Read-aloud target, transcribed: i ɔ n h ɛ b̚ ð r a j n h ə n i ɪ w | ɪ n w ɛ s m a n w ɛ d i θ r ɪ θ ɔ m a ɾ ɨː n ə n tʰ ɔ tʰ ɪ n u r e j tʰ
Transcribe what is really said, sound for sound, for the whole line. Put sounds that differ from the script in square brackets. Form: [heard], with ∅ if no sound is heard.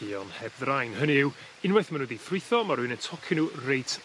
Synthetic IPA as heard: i ɔ n h ɛ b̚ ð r a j n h ə n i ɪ w | ɪ n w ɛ [θ] m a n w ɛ d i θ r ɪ θ ɔ m a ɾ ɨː n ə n tʰ ɔ [kʰ] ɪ n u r e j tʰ